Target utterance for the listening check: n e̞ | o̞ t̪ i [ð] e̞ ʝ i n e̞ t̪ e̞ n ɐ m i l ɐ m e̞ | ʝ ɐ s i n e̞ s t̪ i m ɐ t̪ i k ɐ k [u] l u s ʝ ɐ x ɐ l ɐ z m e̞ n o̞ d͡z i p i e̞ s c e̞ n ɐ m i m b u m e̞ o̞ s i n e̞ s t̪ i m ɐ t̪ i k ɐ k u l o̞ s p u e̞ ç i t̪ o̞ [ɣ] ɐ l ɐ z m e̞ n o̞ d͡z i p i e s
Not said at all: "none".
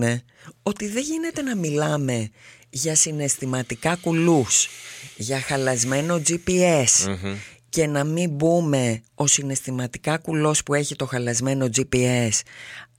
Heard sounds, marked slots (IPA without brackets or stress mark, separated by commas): ð, u, x